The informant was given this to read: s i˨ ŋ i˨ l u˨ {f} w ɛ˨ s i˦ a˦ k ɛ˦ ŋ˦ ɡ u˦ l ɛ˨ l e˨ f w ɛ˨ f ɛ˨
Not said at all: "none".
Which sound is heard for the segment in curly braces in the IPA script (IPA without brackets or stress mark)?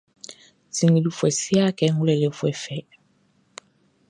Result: f